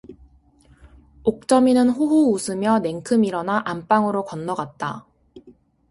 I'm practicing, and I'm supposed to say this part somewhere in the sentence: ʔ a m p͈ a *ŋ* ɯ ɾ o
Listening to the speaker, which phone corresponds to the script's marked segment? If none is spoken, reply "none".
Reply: ŋ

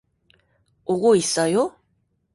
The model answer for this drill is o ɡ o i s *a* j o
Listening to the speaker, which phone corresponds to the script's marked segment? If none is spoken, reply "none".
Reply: a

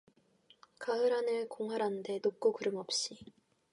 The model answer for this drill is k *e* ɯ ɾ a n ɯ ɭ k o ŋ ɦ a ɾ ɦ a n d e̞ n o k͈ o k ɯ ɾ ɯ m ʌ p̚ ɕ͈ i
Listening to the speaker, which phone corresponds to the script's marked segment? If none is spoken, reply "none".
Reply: a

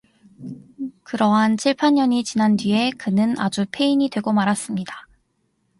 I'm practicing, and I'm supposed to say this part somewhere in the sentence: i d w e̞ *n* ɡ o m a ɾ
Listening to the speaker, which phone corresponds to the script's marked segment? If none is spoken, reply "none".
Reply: none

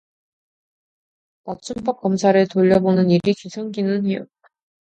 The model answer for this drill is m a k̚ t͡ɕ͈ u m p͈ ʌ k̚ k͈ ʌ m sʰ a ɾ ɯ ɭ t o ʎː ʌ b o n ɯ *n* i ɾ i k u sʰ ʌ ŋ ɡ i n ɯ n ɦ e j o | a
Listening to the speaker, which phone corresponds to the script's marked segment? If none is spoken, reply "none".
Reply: n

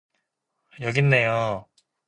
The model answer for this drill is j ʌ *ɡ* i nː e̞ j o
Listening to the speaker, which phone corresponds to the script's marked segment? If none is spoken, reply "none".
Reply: ɡ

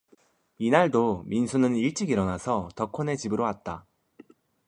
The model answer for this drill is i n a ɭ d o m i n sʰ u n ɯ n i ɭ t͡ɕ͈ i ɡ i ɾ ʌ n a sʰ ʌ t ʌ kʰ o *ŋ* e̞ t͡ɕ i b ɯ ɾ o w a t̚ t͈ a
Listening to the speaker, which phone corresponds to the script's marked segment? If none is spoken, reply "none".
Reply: n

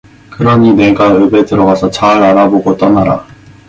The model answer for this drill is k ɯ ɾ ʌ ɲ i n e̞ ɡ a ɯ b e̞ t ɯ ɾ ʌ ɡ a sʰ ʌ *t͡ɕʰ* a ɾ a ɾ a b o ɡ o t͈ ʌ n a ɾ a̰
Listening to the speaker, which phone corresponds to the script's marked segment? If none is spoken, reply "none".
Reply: t͡ɕ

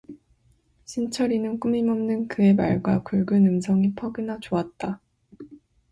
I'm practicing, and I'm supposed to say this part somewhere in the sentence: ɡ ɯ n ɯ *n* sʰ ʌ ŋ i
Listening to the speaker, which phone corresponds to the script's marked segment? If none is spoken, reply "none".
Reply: m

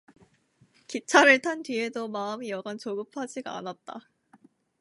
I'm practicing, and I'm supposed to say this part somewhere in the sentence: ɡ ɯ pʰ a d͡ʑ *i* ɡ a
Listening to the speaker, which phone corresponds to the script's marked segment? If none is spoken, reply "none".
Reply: i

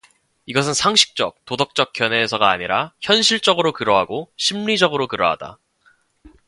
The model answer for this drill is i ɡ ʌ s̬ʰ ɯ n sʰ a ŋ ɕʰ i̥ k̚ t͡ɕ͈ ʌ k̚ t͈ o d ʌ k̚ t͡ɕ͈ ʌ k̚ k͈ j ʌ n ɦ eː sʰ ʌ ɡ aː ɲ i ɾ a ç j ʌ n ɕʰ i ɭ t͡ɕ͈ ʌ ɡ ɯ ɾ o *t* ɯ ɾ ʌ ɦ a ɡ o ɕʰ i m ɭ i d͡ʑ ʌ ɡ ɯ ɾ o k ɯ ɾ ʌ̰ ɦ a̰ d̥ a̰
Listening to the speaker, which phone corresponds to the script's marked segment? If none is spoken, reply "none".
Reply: k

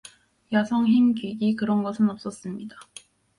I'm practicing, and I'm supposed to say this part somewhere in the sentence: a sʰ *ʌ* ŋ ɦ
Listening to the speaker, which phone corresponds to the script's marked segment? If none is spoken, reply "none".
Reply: ʌ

